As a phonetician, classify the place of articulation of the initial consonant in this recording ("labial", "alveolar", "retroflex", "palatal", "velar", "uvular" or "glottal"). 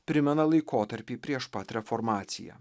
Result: labial